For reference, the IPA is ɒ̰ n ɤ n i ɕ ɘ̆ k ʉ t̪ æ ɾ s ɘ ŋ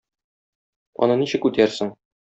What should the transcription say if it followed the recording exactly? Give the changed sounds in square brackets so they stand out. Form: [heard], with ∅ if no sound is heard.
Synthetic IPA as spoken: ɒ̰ n ɤ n i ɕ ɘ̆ k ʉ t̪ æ ɾ s ɘ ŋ